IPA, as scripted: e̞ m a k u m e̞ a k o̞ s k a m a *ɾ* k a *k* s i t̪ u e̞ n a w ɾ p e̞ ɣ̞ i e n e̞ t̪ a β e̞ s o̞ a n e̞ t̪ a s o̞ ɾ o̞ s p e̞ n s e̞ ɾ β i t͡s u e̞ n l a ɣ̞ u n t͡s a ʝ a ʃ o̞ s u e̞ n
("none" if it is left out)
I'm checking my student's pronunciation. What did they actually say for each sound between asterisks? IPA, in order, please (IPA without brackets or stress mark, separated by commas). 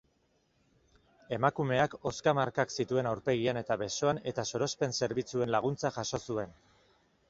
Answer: ɾ, k